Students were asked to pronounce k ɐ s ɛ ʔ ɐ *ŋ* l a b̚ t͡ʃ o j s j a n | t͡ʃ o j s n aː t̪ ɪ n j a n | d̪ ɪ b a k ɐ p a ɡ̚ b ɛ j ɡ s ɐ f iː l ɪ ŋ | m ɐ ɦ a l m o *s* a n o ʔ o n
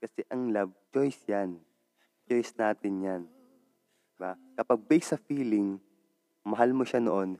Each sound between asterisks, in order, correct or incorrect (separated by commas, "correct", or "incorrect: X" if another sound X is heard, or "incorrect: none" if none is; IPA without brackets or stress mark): correct, incorrect: ʃ